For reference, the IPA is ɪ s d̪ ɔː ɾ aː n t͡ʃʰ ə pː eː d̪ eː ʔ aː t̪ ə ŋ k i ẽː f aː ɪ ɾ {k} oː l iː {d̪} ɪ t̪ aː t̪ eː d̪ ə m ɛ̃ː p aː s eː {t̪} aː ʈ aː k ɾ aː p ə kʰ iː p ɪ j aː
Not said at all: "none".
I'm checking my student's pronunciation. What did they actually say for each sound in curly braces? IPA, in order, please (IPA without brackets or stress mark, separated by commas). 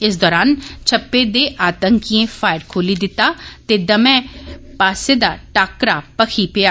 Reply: kʰ, d̪, d̪